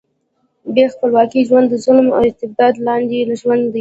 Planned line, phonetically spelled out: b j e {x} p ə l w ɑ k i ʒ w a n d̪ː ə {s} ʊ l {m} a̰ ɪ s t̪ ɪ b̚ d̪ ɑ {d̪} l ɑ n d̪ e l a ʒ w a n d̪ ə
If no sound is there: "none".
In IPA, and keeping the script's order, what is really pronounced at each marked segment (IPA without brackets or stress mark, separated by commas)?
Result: x, z, m, d̪